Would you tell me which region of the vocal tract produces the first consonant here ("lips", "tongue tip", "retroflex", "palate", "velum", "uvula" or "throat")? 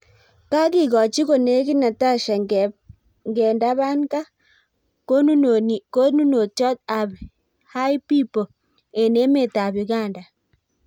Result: velum